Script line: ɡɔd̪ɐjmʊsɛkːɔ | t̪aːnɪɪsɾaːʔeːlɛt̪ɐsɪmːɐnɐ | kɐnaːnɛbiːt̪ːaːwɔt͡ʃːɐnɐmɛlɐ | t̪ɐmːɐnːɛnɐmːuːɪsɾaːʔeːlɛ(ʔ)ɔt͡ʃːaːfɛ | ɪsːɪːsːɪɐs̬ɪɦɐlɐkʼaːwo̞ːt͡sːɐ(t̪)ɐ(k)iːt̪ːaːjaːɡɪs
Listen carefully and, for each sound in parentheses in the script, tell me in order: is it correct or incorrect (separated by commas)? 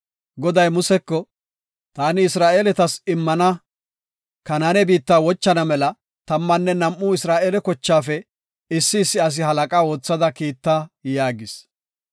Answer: incorrect, incorrect, correct